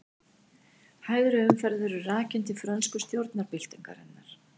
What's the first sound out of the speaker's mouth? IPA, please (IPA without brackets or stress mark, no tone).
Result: h